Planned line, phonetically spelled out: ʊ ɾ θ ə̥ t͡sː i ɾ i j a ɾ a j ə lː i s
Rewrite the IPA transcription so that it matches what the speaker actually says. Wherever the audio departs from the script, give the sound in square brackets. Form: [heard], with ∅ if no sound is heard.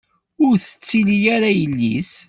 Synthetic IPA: ʊ ɾ θ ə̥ t͡sː i [l] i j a ɾ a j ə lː i s